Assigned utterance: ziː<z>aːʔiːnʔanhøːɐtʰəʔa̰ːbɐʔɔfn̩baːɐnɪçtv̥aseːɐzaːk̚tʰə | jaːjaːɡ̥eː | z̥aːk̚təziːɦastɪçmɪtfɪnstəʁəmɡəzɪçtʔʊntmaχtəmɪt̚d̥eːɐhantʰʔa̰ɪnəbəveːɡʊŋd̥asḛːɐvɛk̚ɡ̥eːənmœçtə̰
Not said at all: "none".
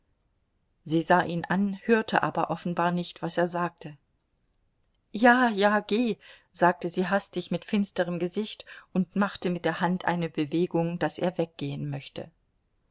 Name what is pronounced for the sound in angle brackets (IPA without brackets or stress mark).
z